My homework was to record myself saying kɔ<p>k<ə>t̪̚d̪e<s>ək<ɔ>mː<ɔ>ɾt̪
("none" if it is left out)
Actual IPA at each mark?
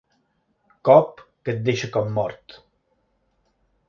p, ə, ʃ, ɔ, ɔ

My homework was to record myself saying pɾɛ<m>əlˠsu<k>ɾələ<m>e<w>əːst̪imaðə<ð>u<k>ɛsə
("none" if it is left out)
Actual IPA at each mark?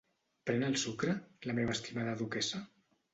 n, k, m, β, ð, k

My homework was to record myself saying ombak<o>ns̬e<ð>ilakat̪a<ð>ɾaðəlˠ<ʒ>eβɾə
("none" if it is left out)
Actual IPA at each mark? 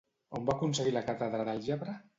u, ɣ, ð, ʒ

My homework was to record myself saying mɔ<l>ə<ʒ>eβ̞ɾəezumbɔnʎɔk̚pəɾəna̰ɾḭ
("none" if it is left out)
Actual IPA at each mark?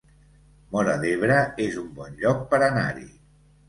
ɾ, ð

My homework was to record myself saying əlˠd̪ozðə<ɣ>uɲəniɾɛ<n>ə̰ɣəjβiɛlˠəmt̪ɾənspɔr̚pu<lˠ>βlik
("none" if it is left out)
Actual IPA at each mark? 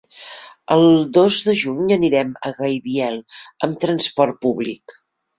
ʒ, m, none

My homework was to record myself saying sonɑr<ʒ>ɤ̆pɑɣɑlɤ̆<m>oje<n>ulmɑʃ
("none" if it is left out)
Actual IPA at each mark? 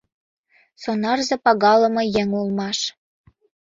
z, m, ŋ

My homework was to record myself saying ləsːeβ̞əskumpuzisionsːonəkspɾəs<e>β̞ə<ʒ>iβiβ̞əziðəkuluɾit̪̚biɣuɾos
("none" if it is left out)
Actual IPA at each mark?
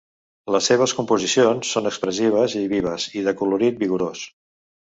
i, z

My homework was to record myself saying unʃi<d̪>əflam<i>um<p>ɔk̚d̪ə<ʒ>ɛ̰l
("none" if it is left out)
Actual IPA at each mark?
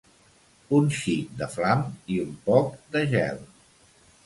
d̪, i, p, ʒ

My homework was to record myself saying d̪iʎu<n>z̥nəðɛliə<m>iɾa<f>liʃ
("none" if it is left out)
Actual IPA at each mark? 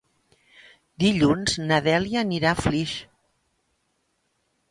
n, n, f

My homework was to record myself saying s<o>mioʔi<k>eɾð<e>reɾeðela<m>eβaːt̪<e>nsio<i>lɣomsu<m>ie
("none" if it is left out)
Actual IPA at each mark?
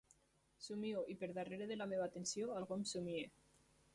u, p, a, m, e, a, m

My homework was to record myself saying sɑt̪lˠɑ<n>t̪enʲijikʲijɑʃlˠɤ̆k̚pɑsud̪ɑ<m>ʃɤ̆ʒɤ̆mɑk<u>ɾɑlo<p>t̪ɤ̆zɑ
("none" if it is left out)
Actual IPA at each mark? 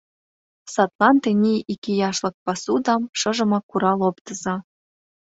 n, m, u, p

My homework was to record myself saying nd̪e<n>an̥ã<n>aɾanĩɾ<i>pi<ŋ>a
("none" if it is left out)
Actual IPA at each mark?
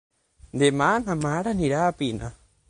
m, m, a, n

